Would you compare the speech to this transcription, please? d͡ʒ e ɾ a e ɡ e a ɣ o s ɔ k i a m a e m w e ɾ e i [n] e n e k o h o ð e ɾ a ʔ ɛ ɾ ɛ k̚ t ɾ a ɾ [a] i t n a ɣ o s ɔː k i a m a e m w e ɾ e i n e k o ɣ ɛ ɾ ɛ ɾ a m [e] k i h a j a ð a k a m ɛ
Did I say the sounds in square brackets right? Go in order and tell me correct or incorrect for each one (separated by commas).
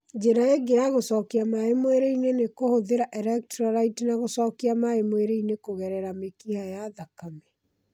correct, correct, correct